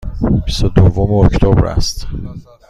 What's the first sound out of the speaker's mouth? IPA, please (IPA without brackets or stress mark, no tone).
b